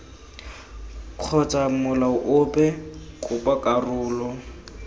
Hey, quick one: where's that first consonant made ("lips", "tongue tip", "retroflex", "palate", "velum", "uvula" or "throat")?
velum